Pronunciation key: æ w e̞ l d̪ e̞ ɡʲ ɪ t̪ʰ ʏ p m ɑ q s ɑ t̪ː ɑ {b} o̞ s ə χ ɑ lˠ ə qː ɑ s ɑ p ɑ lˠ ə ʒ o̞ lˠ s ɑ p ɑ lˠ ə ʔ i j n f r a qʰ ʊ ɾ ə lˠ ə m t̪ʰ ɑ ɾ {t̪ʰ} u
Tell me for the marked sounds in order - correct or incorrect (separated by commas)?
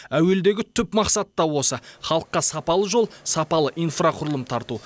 incorrect, incorrect